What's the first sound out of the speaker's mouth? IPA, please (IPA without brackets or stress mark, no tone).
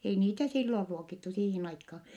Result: e